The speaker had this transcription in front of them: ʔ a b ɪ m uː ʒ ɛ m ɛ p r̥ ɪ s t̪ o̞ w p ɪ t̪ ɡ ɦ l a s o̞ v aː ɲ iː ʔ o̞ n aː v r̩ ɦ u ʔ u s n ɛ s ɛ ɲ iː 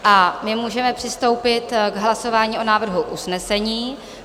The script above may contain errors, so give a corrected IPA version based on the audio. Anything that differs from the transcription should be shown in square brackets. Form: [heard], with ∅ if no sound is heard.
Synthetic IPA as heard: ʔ a [m] ɪ m uː ʒ ɛ m ɛ p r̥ ɪ s t̪ o̞ w p ɪ t̪ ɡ ɦ l a s o̞ v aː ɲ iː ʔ o̞ n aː v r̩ ɦ u ʔ u s n ɛ s ɛ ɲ iː